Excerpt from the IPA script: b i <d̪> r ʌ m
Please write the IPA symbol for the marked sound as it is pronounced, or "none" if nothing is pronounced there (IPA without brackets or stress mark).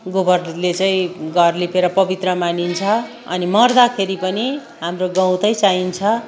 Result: t̪